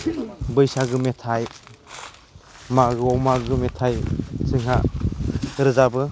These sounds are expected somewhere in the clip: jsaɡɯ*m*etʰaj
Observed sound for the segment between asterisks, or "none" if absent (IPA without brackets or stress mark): m